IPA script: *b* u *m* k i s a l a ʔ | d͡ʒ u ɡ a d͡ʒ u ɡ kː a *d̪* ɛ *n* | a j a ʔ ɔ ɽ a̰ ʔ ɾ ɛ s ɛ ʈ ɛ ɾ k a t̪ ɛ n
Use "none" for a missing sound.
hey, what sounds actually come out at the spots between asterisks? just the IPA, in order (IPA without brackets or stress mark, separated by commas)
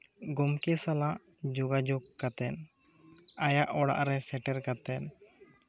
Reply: ɡ, m, t̪, n